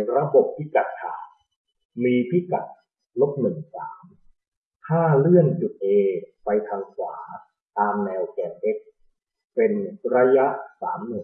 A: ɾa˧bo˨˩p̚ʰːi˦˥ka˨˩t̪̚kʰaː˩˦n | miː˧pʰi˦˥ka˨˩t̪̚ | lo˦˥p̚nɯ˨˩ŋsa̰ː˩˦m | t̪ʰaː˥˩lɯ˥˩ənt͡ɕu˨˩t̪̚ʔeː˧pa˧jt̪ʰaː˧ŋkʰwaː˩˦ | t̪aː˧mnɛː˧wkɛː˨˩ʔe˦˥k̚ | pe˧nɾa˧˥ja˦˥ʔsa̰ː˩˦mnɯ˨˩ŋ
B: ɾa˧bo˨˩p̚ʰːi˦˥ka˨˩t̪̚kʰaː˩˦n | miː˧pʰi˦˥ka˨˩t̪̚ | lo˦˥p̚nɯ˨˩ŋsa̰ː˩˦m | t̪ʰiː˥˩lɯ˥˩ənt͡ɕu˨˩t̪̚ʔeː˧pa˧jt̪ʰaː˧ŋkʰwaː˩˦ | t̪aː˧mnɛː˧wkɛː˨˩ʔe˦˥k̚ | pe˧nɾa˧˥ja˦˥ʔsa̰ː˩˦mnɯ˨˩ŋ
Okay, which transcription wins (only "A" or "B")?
A